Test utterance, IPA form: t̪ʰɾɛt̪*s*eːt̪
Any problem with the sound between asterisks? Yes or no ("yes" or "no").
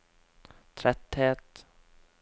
yes